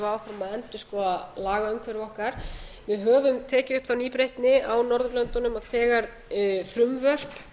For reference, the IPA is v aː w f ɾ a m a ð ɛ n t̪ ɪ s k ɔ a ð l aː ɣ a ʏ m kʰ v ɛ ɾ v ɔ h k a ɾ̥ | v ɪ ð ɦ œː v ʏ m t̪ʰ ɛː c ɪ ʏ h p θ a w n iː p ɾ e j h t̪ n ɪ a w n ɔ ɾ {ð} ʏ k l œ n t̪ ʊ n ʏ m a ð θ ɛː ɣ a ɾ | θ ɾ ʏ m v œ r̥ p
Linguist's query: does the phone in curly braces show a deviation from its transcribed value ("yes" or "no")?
no